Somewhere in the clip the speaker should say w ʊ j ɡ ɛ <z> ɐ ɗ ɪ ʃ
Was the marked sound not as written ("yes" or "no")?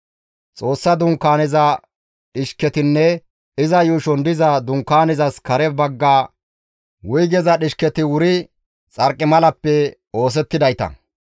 no